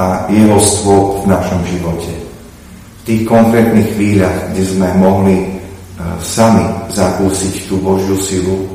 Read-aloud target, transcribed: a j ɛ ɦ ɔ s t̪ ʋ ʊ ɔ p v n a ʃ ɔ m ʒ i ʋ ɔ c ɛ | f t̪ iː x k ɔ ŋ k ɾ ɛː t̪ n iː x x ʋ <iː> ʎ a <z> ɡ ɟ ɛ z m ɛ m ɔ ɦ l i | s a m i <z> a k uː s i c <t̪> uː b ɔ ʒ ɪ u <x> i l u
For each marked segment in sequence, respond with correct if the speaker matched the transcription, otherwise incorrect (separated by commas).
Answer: correct, incorrect, correct, correct, incorrect